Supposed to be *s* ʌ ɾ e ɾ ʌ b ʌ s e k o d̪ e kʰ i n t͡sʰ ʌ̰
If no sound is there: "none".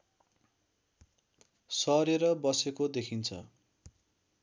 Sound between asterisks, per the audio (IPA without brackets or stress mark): s